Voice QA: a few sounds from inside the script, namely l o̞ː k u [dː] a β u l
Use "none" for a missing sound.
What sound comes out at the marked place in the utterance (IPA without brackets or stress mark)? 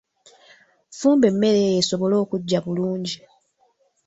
ɟː